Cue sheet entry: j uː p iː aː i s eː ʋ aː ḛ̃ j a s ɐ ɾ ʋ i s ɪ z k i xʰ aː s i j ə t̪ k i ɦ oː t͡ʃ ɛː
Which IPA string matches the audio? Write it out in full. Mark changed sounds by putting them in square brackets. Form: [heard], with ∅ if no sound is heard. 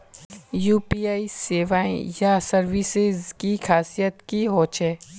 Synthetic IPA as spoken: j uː p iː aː i s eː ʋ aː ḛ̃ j a s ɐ ɾ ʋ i s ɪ z k i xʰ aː s i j ə t̪ k i ɦ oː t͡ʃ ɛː